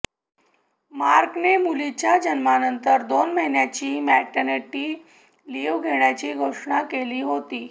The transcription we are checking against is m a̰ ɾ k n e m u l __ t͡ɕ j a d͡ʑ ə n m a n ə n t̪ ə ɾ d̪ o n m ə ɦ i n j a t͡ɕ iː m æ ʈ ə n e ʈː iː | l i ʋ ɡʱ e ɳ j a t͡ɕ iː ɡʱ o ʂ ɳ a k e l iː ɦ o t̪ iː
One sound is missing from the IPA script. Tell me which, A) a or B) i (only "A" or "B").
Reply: B